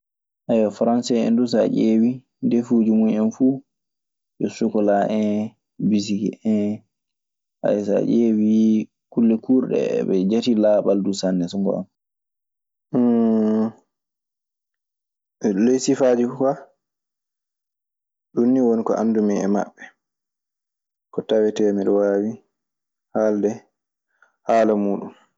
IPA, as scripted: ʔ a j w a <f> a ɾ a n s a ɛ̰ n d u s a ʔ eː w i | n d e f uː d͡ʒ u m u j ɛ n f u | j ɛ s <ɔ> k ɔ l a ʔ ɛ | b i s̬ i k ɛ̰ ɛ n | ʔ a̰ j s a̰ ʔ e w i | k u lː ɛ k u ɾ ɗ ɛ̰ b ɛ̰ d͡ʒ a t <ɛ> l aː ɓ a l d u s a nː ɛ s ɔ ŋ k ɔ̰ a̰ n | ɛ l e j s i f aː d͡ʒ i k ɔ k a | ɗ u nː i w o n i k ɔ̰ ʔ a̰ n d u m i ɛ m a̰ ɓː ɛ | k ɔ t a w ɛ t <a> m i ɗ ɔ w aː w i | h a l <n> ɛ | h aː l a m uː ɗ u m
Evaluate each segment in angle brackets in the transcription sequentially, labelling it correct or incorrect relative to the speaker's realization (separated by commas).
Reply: correct, incorrect, incorrect, incorrect, incorrect